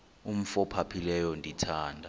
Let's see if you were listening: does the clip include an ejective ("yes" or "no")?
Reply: no